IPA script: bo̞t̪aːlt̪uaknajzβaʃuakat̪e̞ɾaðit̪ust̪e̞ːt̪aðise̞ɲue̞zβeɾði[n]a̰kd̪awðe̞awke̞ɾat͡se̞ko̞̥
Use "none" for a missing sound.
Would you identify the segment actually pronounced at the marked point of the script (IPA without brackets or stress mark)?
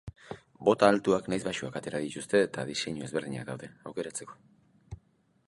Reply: ɲ